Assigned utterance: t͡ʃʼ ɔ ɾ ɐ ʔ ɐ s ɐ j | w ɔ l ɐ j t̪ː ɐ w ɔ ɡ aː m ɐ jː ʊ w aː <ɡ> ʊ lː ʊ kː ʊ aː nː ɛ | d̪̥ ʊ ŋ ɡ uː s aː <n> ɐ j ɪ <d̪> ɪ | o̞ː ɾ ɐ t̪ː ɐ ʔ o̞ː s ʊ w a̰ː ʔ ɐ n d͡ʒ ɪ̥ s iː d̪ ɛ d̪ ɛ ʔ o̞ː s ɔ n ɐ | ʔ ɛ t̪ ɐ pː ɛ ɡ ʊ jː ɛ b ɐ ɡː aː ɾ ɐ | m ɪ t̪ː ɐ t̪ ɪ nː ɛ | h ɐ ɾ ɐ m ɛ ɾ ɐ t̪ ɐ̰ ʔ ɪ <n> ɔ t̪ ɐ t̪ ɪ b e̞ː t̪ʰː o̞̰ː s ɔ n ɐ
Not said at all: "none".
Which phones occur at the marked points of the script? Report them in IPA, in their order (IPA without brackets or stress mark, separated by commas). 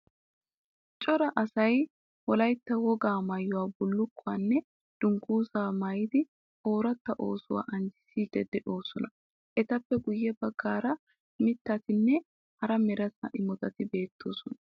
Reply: b, m, d̪, m